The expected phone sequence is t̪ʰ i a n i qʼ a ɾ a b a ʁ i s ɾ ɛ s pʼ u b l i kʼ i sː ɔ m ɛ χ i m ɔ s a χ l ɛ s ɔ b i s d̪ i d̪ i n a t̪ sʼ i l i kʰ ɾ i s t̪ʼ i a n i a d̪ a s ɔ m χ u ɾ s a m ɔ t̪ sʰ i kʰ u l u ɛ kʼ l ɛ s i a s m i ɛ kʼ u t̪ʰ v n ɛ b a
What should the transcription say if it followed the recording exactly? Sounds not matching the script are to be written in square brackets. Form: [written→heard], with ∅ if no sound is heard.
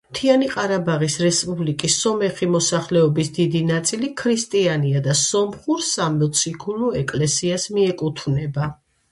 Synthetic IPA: t̪ʰ i a n i qʼ a ɾ a b a ʁ i s ɾ ɛ s pʼ u b l i kʼ i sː ɔ m ɛ χ i m ɔ s a χ l ɛ [s→∅] ɔ b i s d̪ i d̪ i n a t̪ sʼ i l i kʰ ɾ i s t̪ʼ i a n i a d̪ a s ɔ m χ u ɾ s a m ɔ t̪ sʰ i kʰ u l u ɛ kʼ l ɛ s i a s m i ɛ kʼ u t̪ʰ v n ɛ b a